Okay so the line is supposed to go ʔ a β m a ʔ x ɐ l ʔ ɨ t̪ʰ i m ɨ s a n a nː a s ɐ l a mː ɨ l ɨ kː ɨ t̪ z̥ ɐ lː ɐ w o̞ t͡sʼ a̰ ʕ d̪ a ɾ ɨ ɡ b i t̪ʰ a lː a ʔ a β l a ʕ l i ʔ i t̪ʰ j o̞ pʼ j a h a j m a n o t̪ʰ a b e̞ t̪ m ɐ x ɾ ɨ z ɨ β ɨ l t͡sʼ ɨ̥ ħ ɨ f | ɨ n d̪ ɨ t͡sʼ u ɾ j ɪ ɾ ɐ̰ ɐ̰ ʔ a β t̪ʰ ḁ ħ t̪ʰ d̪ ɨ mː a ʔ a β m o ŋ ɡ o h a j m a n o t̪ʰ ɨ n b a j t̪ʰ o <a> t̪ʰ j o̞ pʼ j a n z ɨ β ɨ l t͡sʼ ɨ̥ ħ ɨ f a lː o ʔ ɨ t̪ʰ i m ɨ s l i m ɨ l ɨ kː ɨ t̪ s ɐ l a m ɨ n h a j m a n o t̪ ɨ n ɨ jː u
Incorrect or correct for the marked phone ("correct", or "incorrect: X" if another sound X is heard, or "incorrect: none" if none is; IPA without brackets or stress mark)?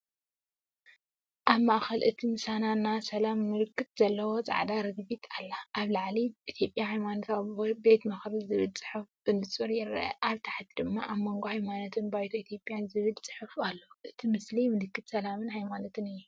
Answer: incorrect: i